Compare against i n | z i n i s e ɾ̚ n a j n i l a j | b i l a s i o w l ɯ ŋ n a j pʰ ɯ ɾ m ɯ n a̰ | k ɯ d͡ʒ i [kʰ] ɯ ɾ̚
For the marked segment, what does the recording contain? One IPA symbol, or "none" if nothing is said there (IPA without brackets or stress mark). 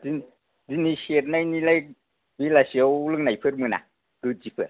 pʰ